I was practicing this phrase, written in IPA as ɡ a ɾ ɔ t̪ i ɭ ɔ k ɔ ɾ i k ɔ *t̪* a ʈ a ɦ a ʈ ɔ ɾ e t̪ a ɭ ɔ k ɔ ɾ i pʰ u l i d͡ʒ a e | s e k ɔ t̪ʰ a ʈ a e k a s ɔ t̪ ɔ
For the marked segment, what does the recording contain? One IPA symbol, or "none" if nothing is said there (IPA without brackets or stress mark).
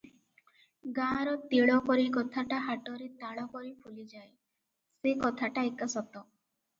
t̪ʰ